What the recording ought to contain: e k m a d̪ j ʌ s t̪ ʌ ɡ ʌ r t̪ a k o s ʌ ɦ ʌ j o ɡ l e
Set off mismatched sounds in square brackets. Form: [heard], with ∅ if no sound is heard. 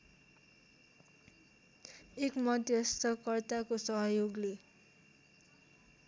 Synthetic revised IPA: e k m [ʌ] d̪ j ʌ s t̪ ʌ [k] ʌ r t̪ a k o s ʌ ɦ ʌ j o ɡ l e